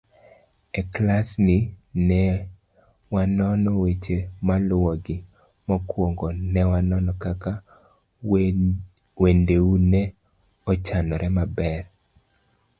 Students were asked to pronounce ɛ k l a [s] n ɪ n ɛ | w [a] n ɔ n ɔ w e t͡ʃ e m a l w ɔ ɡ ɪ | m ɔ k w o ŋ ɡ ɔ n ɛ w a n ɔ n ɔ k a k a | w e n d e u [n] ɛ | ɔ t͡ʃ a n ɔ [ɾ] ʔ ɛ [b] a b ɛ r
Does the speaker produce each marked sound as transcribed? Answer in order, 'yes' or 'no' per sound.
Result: yes, yes, yes, yes, no

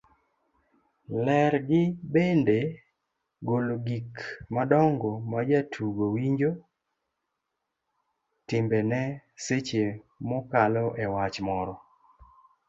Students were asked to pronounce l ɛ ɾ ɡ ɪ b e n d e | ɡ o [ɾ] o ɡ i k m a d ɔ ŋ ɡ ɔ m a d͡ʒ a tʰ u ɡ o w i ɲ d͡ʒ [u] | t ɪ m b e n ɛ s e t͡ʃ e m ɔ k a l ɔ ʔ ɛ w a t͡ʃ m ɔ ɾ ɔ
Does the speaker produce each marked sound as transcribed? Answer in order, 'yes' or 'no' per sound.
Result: no, no

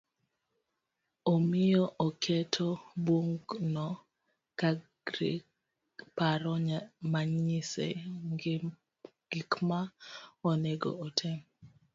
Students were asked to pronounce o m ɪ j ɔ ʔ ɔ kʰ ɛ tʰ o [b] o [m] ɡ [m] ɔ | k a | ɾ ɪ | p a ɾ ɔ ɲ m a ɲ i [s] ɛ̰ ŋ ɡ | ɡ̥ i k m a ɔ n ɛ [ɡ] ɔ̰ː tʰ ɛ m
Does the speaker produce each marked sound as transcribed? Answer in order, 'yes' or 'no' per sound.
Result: yes, no, no, yes, yes

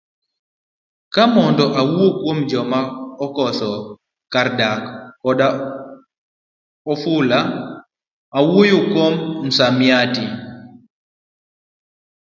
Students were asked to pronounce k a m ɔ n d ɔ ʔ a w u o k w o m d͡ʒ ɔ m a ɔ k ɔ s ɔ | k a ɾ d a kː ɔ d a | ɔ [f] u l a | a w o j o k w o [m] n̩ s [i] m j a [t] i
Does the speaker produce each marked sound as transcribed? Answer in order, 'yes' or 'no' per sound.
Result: yes, yes, no, yes

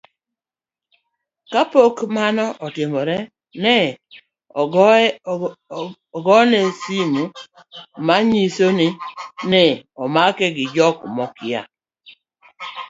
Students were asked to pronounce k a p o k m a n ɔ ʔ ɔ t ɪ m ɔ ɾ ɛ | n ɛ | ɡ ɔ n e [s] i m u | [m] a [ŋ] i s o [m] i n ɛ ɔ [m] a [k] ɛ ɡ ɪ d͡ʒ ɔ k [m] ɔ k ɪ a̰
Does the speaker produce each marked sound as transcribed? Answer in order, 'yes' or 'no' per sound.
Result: yes, yes, no, no, yes, yes, yes

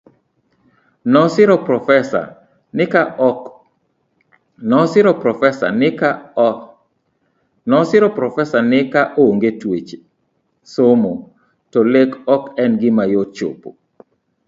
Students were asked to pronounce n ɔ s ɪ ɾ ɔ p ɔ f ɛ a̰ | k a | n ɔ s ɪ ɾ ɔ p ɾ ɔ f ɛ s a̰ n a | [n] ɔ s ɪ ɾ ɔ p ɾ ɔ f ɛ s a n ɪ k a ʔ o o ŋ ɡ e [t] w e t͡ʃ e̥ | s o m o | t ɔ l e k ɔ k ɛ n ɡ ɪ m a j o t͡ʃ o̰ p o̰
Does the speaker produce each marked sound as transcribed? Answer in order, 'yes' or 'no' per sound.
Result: yes, yes

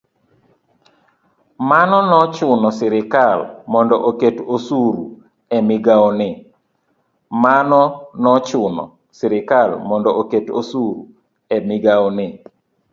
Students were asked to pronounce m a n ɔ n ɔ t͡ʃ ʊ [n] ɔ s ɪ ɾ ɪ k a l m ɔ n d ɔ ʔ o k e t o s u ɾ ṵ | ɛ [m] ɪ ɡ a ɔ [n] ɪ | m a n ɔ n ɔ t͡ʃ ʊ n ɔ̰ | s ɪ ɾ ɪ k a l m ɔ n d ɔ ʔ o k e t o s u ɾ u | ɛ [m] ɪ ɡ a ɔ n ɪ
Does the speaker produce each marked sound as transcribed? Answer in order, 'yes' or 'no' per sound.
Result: yes, yes, yes, yes

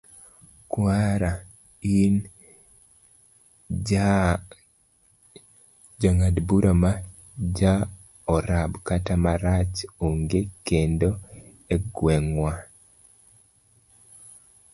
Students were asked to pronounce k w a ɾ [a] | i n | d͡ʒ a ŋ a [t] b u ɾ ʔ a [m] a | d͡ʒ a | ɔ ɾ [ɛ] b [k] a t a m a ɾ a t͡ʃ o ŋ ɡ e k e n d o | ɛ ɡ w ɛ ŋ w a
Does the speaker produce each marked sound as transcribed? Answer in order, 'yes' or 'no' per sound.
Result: yes, no, yes, no, yes

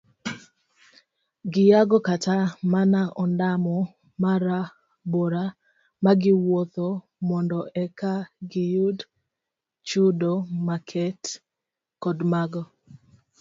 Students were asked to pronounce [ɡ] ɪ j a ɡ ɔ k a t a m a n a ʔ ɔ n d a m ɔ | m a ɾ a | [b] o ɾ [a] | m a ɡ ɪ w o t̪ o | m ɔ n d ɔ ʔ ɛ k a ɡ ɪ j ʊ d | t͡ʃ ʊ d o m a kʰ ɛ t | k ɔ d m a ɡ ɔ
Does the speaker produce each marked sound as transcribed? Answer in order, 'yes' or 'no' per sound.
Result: yes, yes, yes

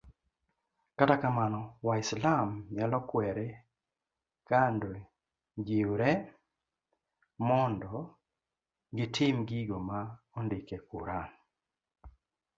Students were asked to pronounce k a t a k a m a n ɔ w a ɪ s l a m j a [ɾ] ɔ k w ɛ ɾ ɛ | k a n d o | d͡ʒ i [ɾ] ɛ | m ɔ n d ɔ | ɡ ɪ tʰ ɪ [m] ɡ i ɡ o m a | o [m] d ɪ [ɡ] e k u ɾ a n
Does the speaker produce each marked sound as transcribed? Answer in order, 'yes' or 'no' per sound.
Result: no, yes, yes, no, no

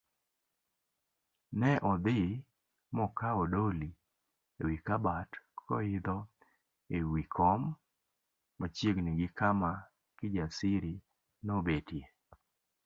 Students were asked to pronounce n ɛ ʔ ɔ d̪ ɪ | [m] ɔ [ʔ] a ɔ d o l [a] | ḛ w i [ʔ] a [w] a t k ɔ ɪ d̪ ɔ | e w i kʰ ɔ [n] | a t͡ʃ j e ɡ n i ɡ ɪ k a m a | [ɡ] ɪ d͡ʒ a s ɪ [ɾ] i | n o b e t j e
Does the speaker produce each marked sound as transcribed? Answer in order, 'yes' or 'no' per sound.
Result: yes, no, no, no, no, no, no, yes

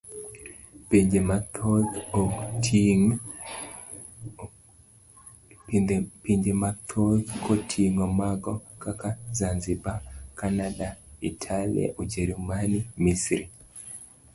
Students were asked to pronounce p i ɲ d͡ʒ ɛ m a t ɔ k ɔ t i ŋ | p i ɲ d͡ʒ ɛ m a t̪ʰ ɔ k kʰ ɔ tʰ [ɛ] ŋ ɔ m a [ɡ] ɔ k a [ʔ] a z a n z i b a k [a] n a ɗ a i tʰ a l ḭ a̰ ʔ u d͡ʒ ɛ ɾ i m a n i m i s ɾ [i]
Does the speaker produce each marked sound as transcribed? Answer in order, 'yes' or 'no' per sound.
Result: no, yes, no, yes, yes

